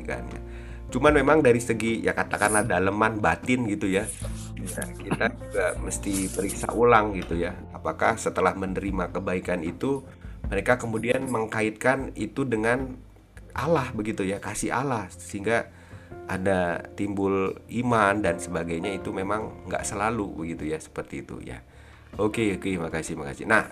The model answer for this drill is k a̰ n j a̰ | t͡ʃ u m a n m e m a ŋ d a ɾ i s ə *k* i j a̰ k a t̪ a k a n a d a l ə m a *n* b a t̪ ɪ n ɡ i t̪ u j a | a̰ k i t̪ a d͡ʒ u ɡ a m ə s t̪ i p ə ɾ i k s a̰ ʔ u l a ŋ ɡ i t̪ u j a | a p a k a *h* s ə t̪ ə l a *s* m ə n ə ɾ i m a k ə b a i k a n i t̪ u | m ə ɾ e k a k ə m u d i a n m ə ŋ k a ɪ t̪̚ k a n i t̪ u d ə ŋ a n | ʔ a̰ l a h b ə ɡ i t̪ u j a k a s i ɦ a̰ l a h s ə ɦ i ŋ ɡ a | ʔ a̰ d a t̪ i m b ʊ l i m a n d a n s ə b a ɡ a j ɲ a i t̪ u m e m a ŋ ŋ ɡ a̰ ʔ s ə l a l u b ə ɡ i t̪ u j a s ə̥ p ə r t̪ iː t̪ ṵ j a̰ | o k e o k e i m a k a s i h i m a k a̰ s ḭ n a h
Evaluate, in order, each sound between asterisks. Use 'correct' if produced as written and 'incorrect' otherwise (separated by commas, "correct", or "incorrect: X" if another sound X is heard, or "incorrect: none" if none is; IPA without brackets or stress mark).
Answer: incorrect: ɡ, correct, correct, incorrect: h